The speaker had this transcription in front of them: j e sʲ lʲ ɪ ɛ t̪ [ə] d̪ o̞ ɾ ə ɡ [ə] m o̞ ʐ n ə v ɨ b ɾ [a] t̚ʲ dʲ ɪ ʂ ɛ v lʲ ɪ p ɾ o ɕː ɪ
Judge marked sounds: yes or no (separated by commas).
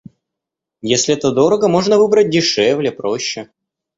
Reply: yes, yes, no